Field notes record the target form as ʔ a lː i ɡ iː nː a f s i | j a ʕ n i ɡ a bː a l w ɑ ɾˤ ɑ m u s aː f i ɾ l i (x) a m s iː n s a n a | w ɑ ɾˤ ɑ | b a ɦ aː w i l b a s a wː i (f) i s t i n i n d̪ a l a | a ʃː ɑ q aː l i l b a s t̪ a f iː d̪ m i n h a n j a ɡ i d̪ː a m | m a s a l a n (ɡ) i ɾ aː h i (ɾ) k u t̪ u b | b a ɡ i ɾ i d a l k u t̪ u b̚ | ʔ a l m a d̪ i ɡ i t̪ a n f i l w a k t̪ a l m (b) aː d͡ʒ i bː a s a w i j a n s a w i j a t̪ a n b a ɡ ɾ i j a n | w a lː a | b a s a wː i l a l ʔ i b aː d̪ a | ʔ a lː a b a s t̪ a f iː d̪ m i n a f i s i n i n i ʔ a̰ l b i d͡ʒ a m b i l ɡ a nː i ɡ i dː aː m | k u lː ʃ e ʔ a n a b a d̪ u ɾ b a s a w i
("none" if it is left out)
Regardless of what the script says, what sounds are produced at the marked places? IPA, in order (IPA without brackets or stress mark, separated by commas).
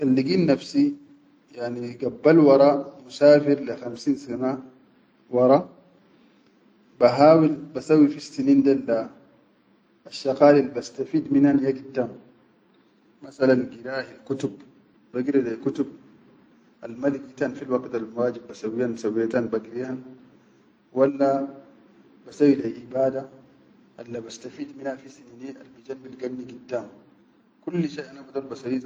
x, f, ɡ, l, w